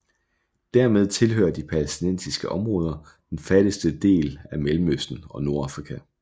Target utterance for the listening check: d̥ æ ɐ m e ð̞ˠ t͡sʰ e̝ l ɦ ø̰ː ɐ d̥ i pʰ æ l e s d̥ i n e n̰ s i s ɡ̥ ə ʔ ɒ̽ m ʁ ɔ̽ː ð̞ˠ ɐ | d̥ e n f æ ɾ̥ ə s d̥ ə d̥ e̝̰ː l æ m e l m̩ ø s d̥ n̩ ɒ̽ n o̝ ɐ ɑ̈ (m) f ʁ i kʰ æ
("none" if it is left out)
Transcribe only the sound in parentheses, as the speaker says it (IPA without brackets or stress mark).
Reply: none